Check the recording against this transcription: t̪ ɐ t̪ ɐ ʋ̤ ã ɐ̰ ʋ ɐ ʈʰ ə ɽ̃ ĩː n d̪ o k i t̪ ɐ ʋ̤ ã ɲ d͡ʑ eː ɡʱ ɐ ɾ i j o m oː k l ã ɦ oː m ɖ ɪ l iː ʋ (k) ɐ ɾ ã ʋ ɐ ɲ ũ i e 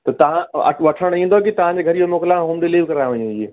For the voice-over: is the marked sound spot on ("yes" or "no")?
yes